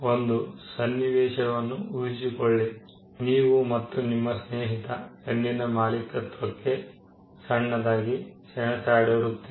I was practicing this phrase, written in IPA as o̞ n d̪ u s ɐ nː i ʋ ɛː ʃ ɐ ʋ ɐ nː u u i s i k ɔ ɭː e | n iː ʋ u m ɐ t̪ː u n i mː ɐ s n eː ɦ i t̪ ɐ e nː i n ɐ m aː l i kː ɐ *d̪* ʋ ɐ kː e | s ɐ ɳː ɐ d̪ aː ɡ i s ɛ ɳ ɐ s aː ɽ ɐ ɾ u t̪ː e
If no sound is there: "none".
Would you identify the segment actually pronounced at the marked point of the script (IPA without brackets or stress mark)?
t̪